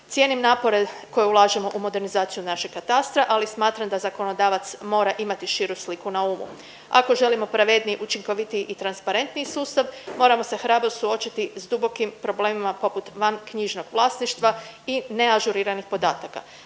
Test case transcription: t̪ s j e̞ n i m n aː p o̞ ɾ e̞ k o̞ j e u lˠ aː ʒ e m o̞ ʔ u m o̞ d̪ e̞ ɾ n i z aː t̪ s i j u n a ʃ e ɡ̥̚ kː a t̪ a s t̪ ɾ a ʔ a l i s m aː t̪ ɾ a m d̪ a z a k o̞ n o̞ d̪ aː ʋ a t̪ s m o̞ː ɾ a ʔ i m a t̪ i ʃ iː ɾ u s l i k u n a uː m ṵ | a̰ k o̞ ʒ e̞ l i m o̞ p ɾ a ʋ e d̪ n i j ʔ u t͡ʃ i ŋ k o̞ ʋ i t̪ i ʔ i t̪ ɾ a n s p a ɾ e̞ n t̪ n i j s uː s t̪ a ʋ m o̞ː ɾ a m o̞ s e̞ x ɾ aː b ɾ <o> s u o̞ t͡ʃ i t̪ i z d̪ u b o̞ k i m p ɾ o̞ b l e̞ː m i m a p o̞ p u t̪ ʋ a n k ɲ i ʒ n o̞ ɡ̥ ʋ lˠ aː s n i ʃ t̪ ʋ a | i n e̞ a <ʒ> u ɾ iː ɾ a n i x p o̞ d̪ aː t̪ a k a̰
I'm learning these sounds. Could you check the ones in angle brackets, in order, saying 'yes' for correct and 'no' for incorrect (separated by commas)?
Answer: yes, yes